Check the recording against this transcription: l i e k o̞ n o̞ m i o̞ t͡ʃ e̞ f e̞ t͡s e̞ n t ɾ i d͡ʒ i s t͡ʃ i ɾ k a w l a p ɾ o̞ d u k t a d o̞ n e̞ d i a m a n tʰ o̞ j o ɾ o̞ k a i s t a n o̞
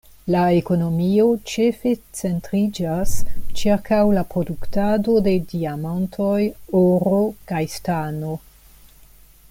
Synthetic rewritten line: l a e k o̞ n o̞ m i o̞ t͡ʃ e̞ f e̞ t͡s e̞ n t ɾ i d͡ʒ a s t͡ʃ i ɾ k a w l a p ɾ o̞ d u k t a d o̞ d e̞ d i a m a n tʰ o̞ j o ɾ o̞ k a j s t a n o̞